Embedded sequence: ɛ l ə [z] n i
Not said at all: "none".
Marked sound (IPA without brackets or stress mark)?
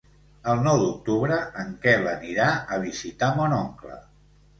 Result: none